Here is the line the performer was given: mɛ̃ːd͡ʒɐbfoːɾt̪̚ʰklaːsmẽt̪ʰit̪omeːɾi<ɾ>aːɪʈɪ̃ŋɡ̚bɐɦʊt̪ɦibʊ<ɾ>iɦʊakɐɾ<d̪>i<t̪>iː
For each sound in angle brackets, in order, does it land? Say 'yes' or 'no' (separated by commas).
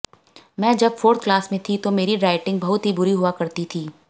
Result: yes, yes, no, no